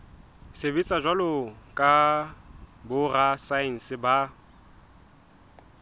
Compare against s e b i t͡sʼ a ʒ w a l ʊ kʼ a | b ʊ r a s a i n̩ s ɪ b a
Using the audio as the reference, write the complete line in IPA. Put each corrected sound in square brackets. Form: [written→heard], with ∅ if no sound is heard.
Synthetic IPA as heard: s e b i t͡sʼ a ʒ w a l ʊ kʼ a | b ʊ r a s a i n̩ s ɪ b a